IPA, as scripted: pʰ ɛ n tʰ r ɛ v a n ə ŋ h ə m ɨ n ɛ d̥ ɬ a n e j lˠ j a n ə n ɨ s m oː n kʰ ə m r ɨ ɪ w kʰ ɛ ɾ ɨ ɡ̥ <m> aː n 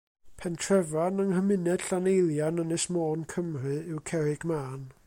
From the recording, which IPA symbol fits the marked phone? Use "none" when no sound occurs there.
m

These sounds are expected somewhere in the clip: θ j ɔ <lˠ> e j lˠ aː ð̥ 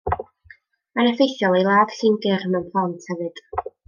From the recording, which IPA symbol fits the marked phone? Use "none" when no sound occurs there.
lˠ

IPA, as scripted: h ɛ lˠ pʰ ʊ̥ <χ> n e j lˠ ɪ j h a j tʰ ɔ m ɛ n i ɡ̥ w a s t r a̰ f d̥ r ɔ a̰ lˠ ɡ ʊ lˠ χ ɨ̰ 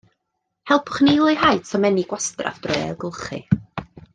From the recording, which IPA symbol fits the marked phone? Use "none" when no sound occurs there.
χ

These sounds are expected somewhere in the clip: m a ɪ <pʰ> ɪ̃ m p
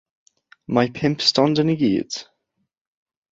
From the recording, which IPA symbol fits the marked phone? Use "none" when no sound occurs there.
pʰ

